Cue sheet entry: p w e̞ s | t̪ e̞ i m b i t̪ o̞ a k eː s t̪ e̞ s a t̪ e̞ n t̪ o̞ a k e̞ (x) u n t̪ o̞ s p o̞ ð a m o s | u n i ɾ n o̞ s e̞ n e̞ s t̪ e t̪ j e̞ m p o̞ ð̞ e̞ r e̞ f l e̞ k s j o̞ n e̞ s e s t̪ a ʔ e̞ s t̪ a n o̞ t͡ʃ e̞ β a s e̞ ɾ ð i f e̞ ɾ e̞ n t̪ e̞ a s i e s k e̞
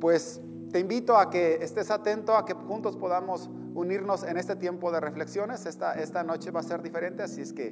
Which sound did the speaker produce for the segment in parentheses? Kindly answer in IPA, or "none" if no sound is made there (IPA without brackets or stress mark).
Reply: x